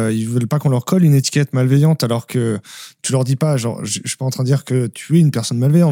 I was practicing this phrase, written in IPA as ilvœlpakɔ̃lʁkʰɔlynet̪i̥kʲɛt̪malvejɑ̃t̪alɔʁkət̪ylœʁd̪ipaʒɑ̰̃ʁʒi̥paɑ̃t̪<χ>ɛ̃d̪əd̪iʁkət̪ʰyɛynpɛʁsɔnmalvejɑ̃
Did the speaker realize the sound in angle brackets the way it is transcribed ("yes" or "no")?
yes